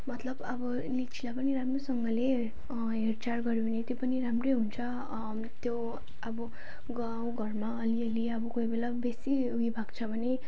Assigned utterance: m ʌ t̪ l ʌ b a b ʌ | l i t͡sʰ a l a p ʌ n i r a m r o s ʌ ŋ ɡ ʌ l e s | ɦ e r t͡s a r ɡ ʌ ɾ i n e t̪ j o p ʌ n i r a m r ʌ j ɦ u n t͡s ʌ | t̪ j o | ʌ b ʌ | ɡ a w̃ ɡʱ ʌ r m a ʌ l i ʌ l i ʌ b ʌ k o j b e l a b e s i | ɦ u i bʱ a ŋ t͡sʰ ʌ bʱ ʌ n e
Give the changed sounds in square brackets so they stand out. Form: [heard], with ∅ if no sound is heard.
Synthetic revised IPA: m ʌ t̪ l ʌ b [ʌ] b ʌ | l i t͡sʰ [i] l a p ʌ n i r a m r o s ʌ ŋ ɡ ʌ l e [∅] | ɦ e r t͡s a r ɡ ʌ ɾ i n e t̪ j o p ʌ n i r a m r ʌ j ɦ u n [t͡sʰ] ʌ | t̪ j o | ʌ b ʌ | ɡ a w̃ ɡʱ ʌ r m a ʌ l i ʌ l i ʌ b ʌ k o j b e l a b e s i | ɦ u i bʱ a [ɡ] t͡sʰ ʌ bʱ ʌ n e